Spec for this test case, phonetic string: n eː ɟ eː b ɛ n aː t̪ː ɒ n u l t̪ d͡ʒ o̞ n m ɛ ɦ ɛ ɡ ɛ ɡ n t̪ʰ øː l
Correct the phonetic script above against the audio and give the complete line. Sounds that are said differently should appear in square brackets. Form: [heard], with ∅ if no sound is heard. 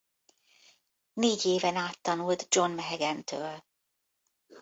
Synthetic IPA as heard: n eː ɟ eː [v] ɛ n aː t̪ː ɒ n u l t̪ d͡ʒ o̞ n m ɛ ɦ ɛ ɡ ɛ [∅] n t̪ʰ øː l